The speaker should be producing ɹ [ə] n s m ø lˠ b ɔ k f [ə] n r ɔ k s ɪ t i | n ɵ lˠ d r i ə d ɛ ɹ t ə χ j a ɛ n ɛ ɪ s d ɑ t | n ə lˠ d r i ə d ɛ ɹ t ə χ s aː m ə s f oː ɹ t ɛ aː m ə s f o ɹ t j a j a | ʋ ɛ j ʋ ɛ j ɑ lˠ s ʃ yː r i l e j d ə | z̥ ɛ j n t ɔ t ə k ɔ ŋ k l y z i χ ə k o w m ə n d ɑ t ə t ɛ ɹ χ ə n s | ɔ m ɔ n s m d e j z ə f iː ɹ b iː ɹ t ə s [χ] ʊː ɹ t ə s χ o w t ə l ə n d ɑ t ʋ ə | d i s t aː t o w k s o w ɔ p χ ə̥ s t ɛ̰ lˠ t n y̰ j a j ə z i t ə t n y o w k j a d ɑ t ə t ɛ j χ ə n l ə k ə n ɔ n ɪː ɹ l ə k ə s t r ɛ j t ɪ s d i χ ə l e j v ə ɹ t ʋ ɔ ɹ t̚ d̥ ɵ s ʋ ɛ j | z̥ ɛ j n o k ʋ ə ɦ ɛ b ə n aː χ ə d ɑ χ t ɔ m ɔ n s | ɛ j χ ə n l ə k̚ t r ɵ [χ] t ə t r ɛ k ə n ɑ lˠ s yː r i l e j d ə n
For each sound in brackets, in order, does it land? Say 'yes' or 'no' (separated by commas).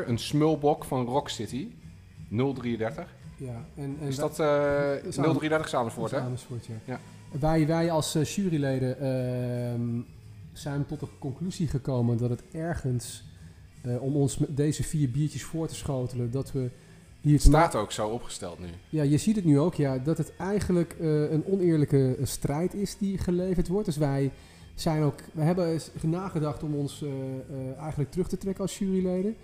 yes, no, no, yes